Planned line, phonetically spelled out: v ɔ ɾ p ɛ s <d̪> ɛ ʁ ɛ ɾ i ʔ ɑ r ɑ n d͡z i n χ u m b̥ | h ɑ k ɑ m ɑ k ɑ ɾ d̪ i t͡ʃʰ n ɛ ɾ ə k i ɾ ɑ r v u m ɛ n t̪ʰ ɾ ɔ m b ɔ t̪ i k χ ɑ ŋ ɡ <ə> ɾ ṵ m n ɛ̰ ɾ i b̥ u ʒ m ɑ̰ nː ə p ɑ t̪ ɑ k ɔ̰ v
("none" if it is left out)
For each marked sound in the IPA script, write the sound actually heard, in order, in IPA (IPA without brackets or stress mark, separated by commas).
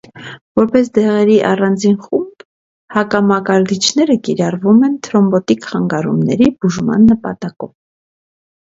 d̪, ɑ